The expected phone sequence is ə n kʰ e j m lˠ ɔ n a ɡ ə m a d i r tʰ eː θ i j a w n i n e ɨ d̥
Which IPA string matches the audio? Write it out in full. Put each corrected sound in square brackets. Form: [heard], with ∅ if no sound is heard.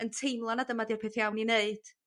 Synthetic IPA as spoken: ə n [tʰ] e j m lˠ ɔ n a [d] ə m a d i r [pʰ] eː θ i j a w n i n e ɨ d̥